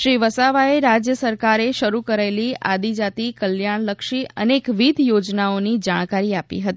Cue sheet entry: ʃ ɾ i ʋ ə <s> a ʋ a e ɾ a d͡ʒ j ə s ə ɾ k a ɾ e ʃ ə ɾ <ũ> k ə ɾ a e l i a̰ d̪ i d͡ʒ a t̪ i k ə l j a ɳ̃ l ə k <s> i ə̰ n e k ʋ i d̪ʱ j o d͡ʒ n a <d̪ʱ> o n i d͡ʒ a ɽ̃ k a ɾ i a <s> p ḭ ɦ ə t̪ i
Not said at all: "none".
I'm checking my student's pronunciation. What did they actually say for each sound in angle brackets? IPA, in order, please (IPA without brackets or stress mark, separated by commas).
s, u, ʃ, none, none